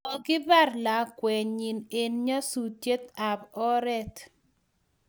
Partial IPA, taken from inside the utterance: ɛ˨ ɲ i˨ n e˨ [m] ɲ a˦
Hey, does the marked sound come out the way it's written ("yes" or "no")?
no